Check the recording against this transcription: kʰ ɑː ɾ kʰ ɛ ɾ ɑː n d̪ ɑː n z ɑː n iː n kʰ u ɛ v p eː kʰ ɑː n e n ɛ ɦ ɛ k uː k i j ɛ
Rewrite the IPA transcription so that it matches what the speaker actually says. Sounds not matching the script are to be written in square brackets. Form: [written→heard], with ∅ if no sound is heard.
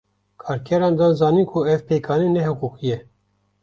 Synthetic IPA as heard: kʰ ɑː ɾ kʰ ɛ ɾ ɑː n d̪ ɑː n z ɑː n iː n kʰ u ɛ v p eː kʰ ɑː n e n ɛ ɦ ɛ k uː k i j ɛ